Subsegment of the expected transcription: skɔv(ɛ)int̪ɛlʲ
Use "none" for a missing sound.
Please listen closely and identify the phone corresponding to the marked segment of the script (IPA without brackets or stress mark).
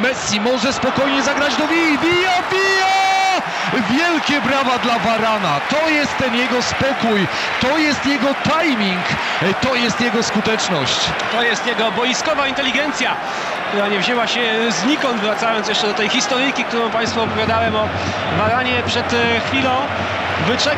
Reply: a